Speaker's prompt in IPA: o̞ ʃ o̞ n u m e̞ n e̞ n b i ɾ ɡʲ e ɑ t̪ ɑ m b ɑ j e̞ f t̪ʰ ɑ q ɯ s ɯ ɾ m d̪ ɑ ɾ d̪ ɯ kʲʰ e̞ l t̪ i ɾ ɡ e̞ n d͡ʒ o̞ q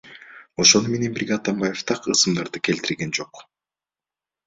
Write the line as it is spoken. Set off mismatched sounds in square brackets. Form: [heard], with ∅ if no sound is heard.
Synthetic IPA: o̞ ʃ o̞ n u m e̞ n e̞ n b i ɾ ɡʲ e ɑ t̪ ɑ m b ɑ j e̞ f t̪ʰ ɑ q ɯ s ɯ [∅] m d̪ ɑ ɾ d̪ ɯ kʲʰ e̞ l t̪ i ɾ ɡ e̞ n d͡ʒ o̞ q